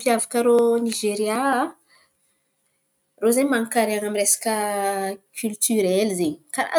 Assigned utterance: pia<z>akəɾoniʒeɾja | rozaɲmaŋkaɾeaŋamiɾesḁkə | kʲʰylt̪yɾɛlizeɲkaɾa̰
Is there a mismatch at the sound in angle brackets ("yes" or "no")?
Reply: yes